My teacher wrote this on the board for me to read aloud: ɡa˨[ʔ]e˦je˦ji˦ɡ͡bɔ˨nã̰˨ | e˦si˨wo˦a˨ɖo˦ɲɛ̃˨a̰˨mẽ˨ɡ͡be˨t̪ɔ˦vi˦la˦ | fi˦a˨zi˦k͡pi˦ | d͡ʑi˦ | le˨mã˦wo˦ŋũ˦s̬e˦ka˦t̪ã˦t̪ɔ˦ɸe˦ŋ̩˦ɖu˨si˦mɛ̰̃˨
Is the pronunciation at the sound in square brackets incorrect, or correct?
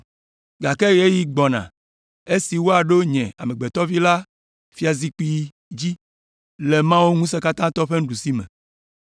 incorrect